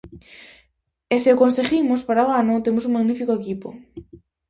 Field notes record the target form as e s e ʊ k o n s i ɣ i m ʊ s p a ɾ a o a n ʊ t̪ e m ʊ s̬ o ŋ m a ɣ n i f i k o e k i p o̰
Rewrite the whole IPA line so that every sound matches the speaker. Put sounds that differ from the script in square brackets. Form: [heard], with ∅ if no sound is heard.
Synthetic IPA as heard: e s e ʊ k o n s [e] ɣ i m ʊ s p a ɾ a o a n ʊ t̪ e m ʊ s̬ [u] ŋ m a ɣ n i f i k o e k i p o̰